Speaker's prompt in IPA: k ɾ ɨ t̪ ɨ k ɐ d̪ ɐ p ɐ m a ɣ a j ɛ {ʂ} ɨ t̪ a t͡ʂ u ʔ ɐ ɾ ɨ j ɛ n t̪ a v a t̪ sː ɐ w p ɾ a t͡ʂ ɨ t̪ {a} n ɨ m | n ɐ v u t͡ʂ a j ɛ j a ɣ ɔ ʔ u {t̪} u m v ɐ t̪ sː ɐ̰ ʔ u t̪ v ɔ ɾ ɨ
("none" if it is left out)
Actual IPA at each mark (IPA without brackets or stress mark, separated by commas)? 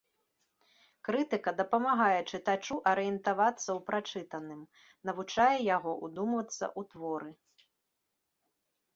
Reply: t͡ʂ, ɐ, d̪